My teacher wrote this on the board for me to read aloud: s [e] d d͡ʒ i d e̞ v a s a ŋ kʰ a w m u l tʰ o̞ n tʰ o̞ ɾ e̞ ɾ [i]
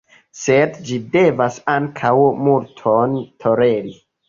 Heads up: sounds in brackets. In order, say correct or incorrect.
correct, correct

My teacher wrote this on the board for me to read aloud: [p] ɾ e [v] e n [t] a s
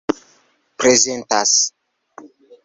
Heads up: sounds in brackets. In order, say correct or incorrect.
correct, incorrect: z, correct

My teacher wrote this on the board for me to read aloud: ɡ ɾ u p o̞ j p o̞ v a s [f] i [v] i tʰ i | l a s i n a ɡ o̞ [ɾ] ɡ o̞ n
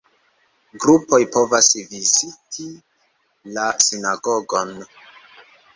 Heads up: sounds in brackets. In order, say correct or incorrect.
incorrect: v, incorrect: z, incorrect: none

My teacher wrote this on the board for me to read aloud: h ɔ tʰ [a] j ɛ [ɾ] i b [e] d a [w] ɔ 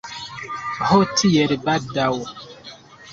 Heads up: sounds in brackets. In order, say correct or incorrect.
incorrect: i, correct, incorrect: a, correct

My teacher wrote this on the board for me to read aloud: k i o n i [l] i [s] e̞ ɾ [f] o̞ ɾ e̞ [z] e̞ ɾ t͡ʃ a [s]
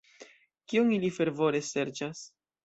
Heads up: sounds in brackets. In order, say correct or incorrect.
correct, incorrect: f, incorrect: v, incorrect: s, correct

